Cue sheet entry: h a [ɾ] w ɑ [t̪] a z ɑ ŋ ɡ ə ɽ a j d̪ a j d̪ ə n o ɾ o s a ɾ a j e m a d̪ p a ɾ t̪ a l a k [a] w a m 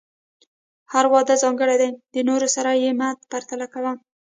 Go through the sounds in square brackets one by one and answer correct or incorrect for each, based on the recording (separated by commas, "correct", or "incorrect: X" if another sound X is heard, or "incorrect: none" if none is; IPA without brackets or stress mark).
correct, incorrect: d̪, correct